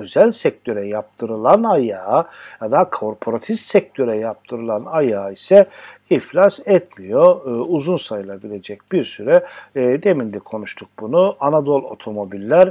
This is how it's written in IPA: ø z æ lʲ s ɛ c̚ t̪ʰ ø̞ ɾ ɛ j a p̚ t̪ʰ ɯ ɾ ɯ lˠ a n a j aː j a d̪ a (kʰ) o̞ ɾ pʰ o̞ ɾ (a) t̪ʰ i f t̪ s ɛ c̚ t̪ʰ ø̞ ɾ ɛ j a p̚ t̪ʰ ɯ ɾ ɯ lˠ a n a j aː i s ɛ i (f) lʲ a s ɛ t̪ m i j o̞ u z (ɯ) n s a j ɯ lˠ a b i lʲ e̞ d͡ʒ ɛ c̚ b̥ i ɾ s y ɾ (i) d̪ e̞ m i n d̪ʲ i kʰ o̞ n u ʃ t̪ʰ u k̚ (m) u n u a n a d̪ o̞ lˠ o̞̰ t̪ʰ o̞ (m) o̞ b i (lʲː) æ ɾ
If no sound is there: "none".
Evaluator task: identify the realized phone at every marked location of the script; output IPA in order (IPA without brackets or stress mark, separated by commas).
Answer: kʰ, a, f, u, ɛ, b, m, lʲː